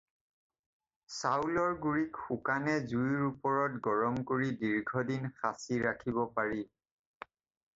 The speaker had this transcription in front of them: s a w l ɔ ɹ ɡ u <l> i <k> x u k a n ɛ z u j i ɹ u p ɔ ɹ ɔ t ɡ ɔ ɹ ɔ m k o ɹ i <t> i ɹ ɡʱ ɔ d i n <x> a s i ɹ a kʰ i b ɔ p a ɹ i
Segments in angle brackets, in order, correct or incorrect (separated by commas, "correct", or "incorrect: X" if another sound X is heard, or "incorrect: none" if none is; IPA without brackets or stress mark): incorrect: ɹ, correct, incorrect: d, correct